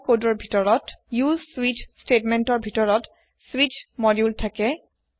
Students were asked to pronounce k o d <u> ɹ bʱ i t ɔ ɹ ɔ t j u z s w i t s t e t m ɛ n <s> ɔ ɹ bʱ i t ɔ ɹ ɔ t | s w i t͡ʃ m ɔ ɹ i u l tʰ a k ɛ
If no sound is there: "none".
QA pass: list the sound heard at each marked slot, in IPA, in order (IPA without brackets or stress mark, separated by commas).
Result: ɔ, t